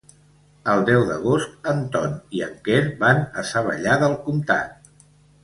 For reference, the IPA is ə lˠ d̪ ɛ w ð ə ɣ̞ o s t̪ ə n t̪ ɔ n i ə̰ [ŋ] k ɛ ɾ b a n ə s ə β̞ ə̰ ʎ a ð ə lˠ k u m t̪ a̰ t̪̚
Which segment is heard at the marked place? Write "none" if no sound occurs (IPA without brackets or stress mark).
ŋ